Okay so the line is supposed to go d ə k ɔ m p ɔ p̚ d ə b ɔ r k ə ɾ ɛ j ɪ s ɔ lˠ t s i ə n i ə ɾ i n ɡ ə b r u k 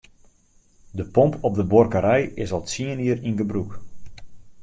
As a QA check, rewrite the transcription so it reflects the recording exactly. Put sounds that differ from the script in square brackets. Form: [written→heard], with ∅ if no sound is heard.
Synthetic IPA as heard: d ə [k→p] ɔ m p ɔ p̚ d ə b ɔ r k ə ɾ ɛ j ɪ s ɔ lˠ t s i ə n i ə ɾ i n ɡ ə b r u k

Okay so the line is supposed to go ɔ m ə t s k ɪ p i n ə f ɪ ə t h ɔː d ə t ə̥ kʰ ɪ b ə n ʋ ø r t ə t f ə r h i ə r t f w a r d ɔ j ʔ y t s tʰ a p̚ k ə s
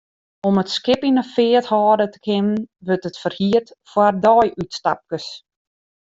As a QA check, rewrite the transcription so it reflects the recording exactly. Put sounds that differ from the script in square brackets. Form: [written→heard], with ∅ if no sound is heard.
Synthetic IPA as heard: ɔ m ə t s k ɪ p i n ə f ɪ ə t h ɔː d ə t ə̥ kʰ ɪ [b→m] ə n ʋ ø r t ə t f ə r h i ə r t f w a r d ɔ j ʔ y t s [tʰ→t] a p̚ k ə s

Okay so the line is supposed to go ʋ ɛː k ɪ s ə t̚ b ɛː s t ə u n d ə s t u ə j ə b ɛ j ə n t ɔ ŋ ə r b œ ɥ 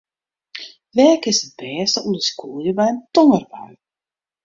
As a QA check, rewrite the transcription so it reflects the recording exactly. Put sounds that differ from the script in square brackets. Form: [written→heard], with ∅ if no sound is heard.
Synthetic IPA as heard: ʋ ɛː k ɪ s ə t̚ b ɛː s t ə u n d ə s [t→k] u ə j ə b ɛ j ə n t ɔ ŋ ə r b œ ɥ

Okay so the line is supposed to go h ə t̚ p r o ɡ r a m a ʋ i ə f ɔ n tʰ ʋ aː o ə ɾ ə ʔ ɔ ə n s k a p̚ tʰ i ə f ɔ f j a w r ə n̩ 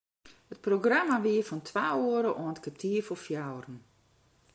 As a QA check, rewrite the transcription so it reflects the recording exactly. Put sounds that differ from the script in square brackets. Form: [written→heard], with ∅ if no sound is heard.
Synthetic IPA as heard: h ə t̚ p r o ɡ r a m a ʋ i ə f ɔ n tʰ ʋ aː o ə ɾ ə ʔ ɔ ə n [s→t] k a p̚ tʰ i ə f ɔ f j a w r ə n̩

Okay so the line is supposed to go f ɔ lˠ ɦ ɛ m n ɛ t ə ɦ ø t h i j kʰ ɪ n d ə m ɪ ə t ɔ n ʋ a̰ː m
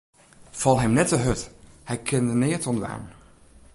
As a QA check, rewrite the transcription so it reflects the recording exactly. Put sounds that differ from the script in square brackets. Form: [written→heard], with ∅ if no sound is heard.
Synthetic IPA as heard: f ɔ lˠ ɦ ɛ m n ɛ t ə ɦ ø t h [i→ɛ] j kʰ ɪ n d ə [m→n] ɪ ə t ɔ n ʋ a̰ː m

